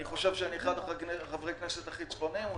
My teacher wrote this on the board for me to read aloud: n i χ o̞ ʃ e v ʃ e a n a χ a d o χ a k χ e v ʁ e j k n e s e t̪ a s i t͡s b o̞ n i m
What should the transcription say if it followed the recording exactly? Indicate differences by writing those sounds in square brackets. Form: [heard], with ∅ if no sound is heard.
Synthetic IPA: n i χ o̞ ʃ e v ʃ e a n [i] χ a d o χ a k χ [a] v ʁ e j k n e s e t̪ a [χ] i t͡s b o̞ n i m